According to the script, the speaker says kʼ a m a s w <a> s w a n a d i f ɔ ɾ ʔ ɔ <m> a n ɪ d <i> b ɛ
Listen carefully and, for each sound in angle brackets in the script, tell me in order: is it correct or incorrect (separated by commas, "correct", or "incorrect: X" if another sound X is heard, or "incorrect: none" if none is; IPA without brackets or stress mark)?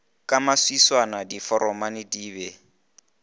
incorrect: i, correct, incorrect: iː